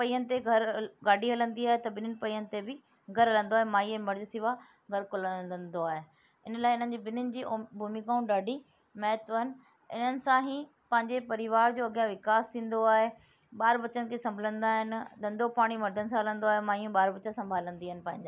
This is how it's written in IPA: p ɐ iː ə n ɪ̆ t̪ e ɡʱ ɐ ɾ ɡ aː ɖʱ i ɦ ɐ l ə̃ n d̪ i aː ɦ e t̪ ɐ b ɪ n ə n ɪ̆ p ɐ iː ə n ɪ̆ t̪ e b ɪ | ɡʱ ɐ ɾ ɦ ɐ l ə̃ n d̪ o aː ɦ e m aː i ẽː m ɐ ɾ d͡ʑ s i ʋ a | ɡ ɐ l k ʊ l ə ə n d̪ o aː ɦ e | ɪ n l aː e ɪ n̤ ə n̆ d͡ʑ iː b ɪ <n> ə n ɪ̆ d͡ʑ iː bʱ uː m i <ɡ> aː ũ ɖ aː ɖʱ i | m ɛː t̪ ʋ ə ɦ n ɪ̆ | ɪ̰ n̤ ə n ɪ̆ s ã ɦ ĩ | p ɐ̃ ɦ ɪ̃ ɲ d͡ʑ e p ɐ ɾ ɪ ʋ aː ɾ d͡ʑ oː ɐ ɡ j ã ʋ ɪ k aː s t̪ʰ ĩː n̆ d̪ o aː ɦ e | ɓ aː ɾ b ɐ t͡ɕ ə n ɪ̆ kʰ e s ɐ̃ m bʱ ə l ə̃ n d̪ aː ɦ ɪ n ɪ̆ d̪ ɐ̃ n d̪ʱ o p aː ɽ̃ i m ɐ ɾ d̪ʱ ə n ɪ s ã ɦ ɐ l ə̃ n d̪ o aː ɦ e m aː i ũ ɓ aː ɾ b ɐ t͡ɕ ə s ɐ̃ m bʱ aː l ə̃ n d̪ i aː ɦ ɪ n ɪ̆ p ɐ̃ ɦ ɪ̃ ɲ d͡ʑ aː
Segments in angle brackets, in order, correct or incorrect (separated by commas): correct, incorrect